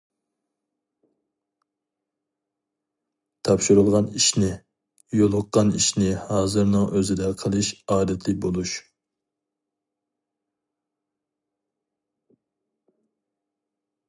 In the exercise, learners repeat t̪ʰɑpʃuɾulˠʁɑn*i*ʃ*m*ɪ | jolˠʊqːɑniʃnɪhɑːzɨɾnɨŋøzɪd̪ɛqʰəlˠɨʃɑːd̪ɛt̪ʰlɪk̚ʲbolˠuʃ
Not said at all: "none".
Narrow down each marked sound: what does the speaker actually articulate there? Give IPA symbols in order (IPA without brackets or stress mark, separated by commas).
i, n